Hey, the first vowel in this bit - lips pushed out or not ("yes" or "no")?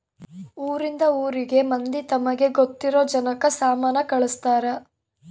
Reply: yes